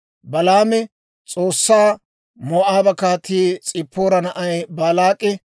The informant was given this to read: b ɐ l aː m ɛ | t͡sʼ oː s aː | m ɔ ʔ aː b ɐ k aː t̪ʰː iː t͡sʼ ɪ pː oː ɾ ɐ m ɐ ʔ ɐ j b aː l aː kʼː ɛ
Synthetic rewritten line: b ɐ l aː m ɛ | t͡sʼ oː sː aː | m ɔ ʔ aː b ɐ k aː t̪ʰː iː t͡sʼ ɪ pː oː ɾ ɐ n ɐ ʔ ɐ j b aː l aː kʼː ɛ